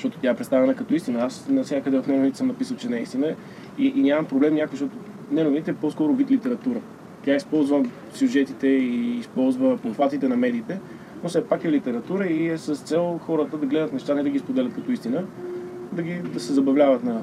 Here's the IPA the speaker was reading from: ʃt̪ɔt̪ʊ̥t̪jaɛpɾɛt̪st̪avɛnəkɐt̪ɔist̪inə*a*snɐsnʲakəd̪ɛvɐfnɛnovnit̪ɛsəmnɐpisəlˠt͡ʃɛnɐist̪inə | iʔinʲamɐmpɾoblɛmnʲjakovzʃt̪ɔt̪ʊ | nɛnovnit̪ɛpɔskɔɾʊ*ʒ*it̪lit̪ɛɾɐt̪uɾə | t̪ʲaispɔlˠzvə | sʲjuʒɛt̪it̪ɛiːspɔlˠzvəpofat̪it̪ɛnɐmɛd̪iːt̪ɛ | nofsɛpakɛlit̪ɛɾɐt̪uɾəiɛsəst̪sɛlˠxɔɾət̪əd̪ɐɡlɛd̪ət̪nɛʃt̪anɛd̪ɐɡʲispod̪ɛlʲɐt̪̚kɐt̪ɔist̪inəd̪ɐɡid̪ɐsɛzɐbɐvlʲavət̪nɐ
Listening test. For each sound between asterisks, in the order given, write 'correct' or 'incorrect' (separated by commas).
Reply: correct, incorrect